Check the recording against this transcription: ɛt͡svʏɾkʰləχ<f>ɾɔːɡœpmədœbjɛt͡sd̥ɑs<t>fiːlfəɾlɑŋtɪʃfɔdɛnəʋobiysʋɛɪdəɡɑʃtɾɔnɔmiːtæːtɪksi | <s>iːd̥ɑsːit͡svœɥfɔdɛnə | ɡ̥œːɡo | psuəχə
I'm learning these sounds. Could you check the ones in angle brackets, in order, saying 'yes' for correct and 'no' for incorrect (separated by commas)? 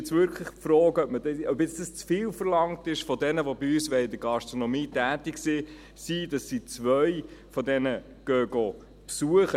yes, no, yes